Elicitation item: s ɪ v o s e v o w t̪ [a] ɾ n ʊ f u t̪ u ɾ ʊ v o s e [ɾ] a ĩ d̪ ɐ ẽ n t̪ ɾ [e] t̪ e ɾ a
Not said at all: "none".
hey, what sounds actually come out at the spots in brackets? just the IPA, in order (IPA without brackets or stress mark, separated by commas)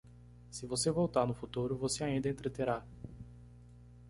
a, none, e